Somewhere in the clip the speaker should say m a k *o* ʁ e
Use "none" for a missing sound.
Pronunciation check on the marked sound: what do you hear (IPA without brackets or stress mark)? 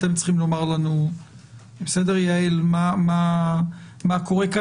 o